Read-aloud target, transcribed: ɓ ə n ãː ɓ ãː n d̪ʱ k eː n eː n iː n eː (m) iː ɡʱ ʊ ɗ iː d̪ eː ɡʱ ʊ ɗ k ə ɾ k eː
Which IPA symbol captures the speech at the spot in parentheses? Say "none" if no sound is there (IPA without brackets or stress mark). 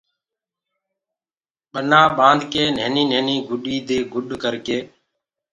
n